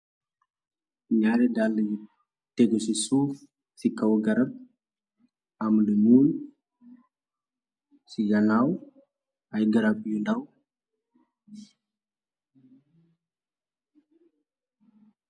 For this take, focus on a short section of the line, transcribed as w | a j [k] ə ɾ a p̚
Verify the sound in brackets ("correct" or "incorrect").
incorrect